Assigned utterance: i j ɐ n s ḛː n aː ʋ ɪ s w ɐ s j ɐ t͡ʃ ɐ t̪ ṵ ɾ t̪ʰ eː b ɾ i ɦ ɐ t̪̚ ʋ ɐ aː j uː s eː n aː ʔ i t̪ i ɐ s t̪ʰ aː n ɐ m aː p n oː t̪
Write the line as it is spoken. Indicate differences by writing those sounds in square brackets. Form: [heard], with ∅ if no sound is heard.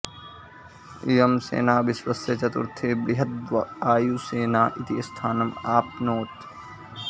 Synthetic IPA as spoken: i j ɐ [m] s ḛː n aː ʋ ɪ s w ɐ s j ɐ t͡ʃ ɐ t̪ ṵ ɾ t̪ʰ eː b ɾ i ɦ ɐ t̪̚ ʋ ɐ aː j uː s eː n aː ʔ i t̪ i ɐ s t̪ʰ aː n ɐ m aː p n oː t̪